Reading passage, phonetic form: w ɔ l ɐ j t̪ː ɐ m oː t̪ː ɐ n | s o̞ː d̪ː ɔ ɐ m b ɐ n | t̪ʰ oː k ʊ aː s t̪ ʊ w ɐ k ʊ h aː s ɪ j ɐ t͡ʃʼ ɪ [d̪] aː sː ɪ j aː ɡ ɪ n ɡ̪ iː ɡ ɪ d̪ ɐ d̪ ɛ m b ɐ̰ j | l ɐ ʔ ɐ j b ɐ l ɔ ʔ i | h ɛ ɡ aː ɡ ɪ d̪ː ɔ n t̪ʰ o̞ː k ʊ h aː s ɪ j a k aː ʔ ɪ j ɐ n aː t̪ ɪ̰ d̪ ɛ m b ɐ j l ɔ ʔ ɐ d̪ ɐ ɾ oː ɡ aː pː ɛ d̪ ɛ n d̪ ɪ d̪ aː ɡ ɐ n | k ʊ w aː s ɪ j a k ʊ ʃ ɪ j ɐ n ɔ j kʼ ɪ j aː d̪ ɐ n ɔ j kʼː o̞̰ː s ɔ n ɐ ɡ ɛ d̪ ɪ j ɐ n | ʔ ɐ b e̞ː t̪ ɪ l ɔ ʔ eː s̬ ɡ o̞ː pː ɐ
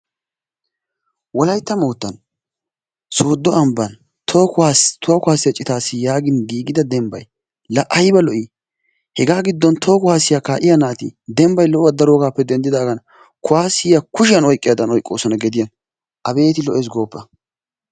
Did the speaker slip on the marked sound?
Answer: yes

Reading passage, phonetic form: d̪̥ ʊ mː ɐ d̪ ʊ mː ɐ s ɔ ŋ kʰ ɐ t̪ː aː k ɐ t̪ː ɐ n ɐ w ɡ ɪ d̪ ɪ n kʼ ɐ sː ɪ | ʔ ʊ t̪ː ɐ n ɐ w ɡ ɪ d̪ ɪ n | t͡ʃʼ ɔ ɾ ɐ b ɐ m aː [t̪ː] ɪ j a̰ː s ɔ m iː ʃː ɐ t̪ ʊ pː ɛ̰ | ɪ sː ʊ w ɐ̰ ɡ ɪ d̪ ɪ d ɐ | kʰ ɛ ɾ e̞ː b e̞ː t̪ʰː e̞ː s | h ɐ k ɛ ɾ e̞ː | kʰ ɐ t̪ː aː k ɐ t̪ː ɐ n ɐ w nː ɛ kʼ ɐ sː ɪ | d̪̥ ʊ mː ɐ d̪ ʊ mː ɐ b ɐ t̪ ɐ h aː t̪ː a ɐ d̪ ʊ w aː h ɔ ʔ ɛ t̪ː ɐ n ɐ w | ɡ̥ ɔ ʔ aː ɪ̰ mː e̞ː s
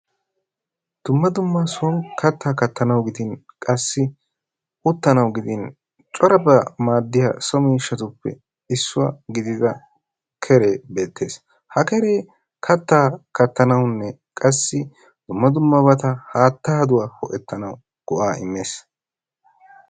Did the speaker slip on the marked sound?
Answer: yes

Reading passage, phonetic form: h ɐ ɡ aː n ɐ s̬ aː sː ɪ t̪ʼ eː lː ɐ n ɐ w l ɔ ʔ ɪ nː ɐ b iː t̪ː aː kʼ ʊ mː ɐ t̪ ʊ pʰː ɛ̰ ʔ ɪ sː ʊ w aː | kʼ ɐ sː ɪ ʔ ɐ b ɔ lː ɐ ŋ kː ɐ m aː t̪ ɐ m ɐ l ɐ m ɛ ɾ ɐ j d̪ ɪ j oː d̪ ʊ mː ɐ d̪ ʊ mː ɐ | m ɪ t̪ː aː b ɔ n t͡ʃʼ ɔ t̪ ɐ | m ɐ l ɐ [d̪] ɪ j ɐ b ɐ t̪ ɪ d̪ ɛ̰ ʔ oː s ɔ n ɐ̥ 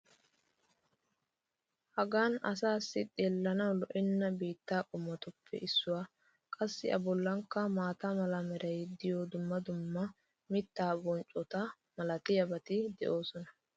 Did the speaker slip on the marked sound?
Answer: yes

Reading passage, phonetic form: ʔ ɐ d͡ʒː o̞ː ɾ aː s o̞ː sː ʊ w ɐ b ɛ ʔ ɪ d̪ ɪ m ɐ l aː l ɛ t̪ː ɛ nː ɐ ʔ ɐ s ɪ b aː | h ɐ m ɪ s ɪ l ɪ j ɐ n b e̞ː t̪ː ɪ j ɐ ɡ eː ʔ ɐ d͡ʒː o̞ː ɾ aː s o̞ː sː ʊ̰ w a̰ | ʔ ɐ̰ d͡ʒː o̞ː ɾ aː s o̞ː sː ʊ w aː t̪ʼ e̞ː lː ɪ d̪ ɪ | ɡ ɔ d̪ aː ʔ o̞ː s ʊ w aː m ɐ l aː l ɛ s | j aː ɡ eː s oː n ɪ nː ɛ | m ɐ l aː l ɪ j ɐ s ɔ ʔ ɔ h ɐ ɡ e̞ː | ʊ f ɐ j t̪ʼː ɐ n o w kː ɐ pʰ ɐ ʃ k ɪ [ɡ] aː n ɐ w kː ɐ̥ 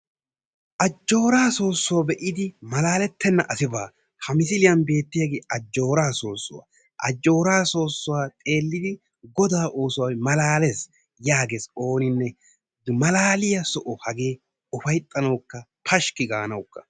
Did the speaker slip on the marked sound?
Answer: no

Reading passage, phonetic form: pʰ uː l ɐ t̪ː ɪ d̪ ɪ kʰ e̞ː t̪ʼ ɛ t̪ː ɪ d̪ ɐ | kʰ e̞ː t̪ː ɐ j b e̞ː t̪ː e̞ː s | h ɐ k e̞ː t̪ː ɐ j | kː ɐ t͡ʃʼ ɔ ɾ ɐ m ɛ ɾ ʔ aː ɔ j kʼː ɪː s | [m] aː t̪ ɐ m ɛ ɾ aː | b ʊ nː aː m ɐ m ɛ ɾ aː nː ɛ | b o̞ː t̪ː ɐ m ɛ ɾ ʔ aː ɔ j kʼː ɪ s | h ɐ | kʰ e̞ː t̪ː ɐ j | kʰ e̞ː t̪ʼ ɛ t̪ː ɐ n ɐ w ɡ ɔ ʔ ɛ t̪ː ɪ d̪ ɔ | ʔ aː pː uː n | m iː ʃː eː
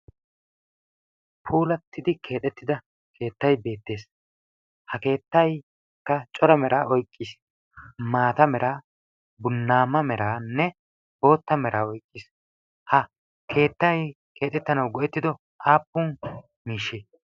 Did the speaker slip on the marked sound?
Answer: no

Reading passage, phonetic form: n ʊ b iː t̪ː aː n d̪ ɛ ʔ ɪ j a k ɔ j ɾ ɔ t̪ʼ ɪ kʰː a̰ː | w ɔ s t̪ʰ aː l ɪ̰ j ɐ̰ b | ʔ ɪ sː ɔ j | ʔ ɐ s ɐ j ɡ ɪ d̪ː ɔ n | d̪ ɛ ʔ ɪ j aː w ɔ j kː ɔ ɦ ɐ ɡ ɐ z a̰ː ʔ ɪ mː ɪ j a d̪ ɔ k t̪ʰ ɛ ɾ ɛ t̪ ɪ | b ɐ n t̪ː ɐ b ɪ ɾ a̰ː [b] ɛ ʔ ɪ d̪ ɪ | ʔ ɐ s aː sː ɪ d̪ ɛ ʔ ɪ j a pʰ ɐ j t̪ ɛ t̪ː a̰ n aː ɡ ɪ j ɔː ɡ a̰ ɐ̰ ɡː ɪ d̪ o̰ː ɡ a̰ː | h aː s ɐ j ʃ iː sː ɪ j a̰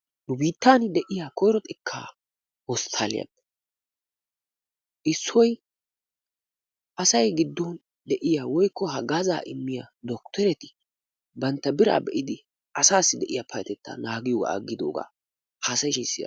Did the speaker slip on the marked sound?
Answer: no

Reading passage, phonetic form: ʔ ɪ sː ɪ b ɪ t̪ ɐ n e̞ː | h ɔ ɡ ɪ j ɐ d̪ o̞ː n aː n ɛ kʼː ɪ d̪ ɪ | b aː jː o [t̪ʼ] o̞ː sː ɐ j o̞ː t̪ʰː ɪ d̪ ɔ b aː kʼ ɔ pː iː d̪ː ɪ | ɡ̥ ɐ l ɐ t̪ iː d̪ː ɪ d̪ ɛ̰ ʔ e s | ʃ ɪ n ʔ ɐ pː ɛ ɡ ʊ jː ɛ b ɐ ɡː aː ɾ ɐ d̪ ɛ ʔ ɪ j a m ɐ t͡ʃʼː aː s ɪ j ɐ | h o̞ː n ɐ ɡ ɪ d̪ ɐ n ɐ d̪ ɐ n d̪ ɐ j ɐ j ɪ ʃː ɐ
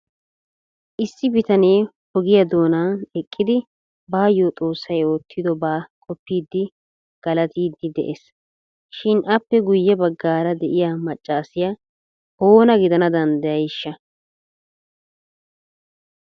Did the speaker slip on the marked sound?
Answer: no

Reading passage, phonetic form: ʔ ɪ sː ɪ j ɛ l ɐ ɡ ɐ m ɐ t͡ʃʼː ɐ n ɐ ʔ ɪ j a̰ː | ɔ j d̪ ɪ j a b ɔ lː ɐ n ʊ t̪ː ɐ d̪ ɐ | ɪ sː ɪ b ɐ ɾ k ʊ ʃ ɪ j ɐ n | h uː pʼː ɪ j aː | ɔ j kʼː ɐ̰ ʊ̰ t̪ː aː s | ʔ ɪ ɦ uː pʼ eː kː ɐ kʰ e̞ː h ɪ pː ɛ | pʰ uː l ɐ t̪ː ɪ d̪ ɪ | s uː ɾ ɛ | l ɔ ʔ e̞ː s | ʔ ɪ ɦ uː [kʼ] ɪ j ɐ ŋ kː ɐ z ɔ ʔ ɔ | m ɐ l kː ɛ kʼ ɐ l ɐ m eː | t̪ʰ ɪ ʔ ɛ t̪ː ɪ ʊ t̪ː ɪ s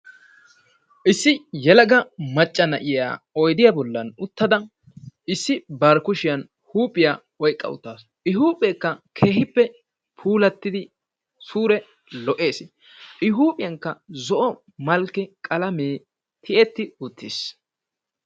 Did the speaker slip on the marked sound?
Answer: yes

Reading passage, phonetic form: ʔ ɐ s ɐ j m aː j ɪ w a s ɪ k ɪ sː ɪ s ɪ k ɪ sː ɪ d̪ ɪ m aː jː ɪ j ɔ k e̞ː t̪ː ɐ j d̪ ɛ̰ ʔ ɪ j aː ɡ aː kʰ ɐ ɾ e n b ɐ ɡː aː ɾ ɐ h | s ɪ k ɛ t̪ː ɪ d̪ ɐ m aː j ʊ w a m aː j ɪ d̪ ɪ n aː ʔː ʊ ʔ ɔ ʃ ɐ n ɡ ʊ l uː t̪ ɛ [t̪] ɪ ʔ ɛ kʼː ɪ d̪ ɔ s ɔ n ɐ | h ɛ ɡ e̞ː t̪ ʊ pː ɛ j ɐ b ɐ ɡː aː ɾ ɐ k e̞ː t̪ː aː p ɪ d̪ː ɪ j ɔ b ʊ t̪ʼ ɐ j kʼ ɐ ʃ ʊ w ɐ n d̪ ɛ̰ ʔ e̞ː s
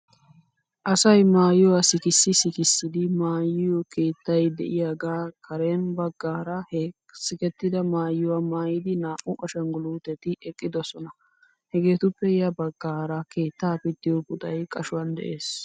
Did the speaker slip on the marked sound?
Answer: no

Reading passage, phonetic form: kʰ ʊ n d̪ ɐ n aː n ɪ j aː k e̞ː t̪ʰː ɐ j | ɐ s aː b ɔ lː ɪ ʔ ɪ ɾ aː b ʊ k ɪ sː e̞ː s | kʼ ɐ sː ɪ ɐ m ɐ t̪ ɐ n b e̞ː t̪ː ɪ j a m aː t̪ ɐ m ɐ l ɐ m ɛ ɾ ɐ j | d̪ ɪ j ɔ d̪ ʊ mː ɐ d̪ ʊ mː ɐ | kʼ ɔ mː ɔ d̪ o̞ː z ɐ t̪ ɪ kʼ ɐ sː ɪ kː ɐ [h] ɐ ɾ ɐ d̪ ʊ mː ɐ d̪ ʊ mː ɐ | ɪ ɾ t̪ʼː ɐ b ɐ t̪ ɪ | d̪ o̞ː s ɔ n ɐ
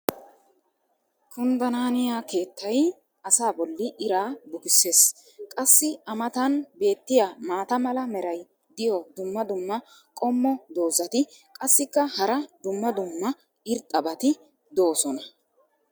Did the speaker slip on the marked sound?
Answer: no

